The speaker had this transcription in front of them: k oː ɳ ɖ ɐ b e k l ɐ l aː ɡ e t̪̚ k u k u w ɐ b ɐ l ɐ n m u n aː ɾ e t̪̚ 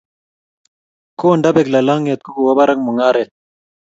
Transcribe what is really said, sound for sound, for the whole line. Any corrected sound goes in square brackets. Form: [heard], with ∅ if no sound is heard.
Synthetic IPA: k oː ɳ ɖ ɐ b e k l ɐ l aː [ŋ] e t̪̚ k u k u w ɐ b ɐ [ɾ] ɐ [ŋ] m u [ŋ] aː ɾ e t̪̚